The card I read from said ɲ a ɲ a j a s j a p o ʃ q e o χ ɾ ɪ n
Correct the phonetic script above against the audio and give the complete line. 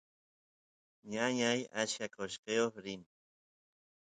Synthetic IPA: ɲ a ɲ a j a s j a k o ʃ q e o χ ɾ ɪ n